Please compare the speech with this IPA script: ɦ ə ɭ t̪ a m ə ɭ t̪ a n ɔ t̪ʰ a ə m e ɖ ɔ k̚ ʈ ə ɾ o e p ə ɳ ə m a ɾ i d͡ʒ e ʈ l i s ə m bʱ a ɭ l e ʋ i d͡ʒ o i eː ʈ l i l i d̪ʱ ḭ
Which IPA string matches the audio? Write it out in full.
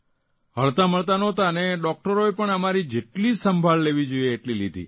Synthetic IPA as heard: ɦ ə ɭ t̪ a m ə ɭ t̪ a n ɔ t̪ a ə n e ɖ ɔ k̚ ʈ ə ɾ o e p ə ɳ ə m a ɾ i d͡ʒ e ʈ l i s ə m bʱ a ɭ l e ʋ i d͡ʒ o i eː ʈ l i l i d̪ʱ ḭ